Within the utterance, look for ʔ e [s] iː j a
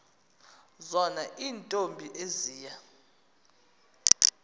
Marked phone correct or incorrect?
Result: incorrect